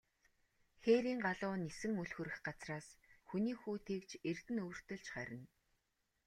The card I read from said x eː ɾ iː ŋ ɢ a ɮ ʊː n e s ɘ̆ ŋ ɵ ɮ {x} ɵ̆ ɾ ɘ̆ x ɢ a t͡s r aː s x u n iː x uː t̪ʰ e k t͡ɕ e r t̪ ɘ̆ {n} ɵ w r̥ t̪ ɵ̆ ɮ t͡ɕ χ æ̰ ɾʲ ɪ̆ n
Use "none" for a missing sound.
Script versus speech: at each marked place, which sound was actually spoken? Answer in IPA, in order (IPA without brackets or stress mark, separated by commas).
x, n